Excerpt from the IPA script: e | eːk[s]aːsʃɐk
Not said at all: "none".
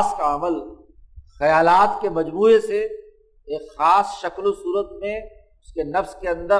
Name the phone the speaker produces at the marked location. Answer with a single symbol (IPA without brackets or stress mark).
x